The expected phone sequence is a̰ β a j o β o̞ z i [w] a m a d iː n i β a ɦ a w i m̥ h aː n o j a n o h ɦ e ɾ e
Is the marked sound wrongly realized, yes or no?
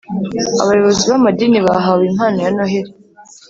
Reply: yes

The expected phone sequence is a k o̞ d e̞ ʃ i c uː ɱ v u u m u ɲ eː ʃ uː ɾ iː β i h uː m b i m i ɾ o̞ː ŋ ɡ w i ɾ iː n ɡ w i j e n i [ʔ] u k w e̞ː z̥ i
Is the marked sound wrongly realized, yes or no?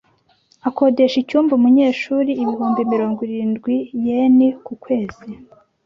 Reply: yes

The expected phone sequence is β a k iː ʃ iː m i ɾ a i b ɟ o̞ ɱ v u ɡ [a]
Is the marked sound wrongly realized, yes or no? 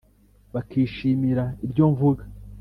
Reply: no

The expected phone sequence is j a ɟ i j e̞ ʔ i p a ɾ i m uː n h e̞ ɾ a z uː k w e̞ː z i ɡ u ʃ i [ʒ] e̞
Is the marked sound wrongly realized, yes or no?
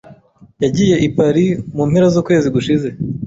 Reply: yes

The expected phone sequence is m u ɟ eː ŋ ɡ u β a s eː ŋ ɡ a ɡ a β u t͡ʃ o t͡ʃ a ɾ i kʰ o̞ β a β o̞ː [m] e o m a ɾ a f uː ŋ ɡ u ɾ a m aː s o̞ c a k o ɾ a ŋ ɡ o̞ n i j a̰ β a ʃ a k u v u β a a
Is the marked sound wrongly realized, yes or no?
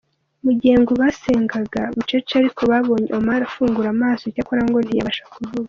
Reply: yes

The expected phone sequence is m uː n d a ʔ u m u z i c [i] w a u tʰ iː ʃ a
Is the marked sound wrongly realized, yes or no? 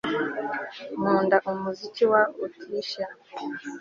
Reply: no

